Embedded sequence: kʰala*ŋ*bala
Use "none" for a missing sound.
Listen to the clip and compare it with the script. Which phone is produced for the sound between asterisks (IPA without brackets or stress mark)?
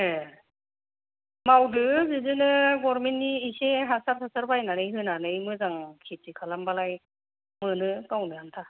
m